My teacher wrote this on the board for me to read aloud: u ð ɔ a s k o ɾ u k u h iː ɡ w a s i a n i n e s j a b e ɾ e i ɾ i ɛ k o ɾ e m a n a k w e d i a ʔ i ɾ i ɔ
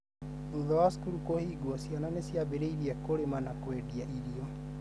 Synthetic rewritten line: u ð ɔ a s k u ɾ u k o h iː ɡ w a s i a n a n e s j a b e ɾ e i ɾ i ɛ k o ɾ e m a n a k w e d i a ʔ i ɾ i ɔ